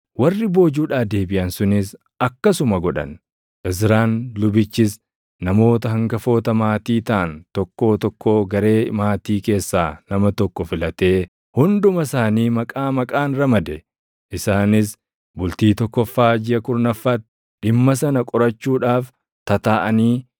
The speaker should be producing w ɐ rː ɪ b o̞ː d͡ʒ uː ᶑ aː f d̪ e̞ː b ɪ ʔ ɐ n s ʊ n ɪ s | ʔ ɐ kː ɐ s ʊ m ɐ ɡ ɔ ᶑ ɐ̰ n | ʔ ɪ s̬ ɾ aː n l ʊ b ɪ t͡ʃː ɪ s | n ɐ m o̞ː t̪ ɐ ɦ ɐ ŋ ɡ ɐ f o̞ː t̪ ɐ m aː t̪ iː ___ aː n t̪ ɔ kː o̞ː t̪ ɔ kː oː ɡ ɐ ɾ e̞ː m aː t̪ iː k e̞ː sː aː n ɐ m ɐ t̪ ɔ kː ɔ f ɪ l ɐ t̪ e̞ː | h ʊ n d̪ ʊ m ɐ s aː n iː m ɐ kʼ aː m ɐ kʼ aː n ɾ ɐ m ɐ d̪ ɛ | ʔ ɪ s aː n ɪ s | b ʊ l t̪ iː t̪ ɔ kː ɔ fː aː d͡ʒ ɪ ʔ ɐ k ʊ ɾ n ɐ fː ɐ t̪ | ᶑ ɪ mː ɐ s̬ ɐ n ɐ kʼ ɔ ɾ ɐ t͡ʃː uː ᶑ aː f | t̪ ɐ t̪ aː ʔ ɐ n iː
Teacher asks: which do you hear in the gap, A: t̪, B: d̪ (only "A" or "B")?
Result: A